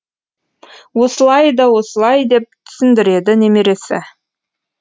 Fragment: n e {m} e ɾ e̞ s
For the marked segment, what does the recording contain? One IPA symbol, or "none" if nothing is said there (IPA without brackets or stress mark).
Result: m